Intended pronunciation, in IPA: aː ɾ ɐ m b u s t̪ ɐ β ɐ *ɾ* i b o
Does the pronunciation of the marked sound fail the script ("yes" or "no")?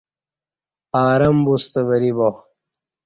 no